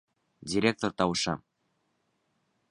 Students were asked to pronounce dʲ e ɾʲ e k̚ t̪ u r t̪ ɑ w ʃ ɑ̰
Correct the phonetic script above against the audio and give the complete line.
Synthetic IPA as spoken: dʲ i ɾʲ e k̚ t̪ o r t̪ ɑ w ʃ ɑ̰